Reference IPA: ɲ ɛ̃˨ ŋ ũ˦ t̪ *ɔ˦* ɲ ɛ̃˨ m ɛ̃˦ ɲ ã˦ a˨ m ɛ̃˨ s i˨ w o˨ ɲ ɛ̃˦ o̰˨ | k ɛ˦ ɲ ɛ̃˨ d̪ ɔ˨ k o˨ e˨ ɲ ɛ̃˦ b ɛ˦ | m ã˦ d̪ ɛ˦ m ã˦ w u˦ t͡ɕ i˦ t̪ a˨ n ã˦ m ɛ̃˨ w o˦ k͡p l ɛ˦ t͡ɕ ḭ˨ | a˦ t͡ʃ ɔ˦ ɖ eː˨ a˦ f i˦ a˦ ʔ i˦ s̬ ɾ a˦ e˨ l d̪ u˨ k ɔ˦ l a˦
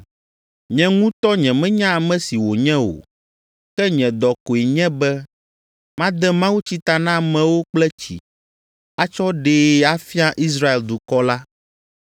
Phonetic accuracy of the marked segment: correct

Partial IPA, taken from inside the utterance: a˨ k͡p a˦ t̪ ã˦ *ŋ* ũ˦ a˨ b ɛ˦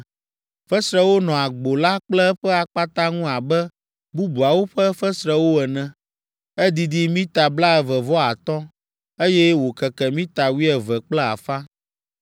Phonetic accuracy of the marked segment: correct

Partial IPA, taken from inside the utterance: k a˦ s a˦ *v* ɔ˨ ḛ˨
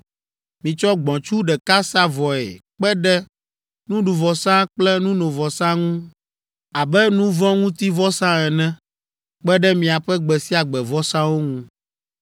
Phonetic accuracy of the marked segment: correct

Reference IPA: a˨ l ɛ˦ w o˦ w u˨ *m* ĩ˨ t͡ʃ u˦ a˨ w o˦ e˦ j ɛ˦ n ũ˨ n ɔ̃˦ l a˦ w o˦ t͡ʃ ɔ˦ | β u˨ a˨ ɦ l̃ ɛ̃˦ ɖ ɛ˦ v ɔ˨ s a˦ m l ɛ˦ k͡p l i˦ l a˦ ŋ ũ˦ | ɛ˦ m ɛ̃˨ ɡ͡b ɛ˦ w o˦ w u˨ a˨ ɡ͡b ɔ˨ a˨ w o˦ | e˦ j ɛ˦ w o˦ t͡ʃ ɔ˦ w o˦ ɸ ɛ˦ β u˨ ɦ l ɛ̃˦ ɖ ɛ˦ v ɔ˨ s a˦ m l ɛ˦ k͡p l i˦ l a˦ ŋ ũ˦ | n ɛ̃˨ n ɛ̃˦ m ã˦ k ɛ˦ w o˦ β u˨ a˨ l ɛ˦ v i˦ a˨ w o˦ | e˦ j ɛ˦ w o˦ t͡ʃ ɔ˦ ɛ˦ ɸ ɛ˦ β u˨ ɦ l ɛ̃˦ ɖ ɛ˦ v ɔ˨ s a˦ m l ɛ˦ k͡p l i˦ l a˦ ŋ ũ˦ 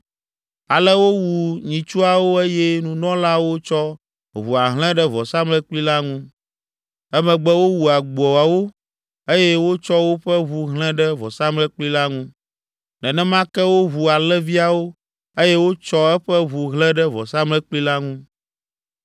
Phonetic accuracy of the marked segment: incorrect: ɲ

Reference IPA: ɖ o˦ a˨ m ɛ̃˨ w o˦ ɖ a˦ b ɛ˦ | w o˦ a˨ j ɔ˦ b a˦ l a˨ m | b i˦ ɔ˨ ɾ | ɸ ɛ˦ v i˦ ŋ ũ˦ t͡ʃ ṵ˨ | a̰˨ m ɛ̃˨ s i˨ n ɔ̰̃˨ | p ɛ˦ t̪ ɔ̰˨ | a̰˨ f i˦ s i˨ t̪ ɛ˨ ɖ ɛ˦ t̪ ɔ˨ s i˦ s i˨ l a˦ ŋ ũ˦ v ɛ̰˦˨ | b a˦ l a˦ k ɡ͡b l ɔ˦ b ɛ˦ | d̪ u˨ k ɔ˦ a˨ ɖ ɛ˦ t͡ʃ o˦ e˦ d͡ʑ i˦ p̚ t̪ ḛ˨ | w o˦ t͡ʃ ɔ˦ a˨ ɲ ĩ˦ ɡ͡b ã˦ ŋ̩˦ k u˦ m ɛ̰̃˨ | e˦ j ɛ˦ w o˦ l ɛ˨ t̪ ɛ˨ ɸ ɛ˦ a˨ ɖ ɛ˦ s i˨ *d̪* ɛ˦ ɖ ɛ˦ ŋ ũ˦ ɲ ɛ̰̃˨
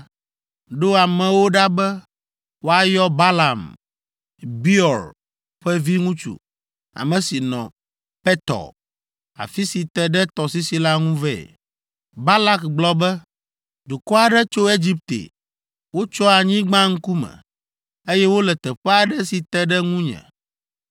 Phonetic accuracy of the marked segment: incorrect: t̪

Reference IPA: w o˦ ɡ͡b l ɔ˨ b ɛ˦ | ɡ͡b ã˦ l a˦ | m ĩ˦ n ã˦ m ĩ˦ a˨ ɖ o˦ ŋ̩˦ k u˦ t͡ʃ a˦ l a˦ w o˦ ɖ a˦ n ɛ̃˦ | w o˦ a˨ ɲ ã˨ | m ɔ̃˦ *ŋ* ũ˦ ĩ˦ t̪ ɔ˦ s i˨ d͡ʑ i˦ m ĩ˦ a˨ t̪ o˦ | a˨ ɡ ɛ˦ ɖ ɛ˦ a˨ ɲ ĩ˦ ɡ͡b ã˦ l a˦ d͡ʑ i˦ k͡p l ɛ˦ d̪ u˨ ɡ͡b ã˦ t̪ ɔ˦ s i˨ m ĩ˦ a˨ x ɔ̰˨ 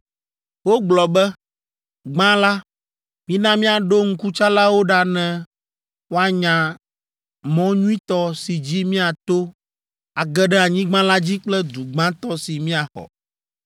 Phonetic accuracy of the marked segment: incorrect: ɲ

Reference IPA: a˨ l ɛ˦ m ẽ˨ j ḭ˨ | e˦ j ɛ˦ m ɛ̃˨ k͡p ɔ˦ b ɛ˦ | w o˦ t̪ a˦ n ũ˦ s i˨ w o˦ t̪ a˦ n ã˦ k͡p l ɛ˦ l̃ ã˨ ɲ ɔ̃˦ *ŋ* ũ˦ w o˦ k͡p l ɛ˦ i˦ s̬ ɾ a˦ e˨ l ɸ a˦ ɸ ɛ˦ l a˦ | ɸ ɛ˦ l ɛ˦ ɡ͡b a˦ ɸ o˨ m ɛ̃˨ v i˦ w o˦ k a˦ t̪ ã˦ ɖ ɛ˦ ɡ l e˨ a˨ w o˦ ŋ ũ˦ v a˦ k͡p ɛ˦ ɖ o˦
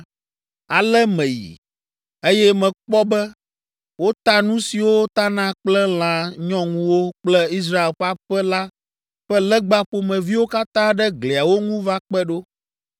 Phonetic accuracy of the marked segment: correct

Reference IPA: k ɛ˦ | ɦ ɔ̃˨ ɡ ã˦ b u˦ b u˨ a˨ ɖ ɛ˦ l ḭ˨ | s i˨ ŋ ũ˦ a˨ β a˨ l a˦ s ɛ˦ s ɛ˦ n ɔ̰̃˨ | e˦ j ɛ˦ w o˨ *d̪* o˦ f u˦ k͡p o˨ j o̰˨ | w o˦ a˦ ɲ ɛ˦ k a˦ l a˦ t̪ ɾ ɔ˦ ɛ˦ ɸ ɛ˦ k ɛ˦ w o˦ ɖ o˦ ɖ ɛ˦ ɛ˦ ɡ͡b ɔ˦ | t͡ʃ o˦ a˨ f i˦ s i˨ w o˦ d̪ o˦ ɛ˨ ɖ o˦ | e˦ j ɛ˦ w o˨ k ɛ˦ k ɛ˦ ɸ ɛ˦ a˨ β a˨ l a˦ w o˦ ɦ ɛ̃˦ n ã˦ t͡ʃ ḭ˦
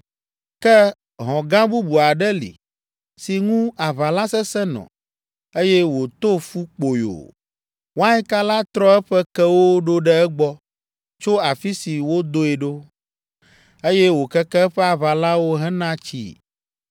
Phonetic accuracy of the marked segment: incorrect: t̪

